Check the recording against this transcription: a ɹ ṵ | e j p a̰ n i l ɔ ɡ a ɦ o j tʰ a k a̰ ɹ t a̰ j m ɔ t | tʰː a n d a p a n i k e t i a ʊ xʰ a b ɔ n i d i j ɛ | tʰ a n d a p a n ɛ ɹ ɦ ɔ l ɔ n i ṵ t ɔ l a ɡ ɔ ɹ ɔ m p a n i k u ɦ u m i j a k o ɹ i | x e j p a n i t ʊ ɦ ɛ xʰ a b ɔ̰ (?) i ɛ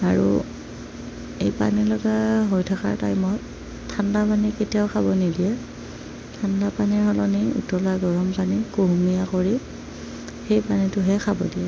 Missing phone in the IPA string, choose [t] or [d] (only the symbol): d